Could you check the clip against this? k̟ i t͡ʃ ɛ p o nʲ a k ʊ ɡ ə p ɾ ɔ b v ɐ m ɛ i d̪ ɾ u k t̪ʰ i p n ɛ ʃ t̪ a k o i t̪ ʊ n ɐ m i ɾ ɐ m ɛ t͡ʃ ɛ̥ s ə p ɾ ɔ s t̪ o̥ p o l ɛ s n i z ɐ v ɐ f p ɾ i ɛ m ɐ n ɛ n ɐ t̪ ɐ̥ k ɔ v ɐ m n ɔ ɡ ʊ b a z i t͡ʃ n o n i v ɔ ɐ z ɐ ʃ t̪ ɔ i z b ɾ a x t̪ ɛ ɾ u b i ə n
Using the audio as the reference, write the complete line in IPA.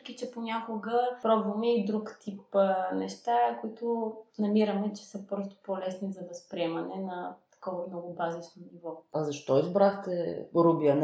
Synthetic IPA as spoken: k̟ i t͡ʃ ɛ p o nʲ a k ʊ ɡ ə p ɾ ɔ b v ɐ m ɛ i d̪ ɾ u k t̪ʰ i p n ɛ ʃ t̪ a k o i t̪ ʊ n ɐ m i ɾ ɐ m ɛ t͡ʃ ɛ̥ s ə p ɾ ɔ s t̪ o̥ p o l ɛ s n i z ɐ v ɐ s p ɾ i ɛ m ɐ n ɛ n ɐ t̪ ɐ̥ k ɔ v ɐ m n ɔ ɡ ʊ b a z i t͡ʃ n o n i v ɔ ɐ z ɐ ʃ t̪ ɔ i z b ɾ a x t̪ ɛ ɾ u b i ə n